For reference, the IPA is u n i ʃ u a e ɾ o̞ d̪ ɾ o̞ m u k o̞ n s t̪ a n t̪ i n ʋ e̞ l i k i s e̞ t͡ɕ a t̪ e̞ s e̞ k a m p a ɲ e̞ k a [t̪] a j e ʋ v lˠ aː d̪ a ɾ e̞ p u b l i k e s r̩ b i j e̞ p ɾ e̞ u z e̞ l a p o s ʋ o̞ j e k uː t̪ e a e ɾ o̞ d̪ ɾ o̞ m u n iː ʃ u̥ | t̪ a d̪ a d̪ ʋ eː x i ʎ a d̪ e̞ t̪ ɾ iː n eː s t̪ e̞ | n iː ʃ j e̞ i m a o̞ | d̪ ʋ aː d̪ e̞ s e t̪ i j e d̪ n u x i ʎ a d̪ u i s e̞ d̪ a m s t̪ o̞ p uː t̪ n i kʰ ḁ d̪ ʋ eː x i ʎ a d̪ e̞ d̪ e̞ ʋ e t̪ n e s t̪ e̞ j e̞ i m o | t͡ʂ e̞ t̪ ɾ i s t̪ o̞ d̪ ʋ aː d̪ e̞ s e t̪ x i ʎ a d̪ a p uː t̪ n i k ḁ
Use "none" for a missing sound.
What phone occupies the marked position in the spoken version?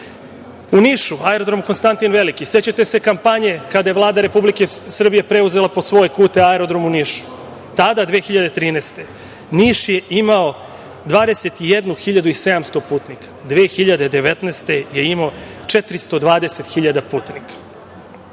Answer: d̪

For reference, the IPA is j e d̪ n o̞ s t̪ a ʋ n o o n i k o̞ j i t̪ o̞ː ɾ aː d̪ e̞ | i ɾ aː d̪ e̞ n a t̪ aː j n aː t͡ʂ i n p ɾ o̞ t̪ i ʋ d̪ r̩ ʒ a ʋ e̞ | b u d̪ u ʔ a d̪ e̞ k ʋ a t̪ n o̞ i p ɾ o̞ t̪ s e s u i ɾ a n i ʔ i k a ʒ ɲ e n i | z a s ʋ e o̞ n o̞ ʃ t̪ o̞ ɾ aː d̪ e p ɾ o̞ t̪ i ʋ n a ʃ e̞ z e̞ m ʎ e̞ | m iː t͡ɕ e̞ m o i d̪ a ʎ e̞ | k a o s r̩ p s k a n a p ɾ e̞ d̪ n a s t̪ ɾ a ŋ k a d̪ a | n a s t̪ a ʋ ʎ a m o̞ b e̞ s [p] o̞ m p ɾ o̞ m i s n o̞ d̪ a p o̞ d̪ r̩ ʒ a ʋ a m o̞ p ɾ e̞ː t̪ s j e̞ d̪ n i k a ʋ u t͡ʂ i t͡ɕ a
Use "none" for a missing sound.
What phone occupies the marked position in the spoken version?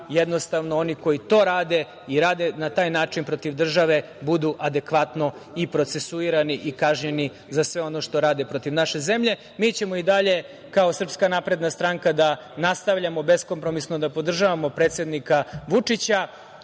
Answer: k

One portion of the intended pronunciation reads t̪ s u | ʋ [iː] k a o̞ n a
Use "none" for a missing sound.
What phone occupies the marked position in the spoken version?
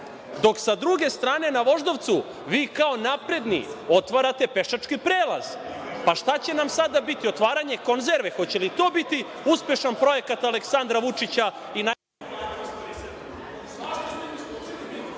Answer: iː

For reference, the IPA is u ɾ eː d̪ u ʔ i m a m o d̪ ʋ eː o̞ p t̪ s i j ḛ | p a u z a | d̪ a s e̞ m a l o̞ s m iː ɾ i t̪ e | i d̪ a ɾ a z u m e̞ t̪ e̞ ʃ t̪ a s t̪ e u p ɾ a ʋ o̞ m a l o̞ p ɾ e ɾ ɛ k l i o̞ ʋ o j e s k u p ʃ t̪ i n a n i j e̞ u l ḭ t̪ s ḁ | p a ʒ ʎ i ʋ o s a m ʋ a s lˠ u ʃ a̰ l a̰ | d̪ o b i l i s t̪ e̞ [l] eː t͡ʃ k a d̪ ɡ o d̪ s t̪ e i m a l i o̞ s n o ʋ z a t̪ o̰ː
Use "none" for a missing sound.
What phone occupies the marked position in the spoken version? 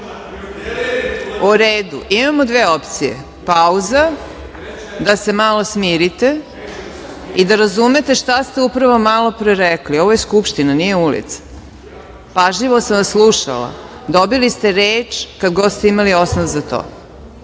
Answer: ɾ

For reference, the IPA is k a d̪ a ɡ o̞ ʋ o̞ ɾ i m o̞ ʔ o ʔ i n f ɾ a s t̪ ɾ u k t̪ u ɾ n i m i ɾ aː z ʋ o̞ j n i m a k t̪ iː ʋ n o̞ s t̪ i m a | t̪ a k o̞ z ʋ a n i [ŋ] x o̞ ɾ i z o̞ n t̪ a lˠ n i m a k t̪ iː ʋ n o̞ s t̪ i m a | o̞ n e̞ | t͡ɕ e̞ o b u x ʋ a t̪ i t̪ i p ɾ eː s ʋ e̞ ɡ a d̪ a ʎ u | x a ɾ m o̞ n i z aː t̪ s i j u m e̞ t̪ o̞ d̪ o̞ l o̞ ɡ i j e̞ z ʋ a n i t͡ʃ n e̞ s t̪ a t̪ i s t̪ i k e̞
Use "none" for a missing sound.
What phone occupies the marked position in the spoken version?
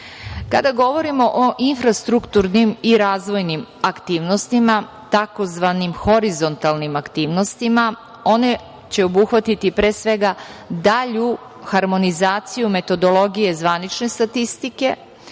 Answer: m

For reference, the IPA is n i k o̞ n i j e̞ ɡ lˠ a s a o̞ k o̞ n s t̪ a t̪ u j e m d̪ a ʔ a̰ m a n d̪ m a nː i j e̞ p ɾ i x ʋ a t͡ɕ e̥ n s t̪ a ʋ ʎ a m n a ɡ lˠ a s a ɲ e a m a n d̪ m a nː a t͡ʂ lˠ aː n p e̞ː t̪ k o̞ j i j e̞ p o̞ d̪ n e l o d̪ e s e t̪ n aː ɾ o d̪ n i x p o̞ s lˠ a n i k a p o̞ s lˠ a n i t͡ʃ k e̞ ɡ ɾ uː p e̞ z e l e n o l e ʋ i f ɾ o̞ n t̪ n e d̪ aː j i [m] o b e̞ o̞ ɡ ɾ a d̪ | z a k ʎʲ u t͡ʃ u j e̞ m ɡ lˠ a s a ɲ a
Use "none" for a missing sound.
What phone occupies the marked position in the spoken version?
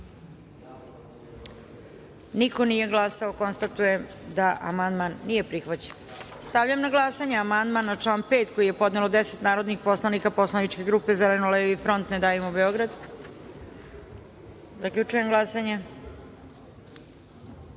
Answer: m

